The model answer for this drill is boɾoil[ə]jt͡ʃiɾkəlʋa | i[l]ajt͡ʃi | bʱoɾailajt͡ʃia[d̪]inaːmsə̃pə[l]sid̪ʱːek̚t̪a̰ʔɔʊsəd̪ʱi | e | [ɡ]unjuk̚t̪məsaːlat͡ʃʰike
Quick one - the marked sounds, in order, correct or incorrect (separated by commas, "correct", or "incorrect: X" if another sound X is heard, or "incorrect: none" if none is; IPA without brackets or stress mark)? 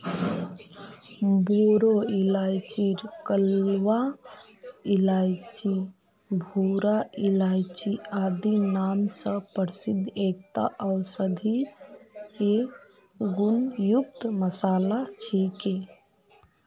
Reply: incorrect: a, correct, correct, incorrect: ɾ, correct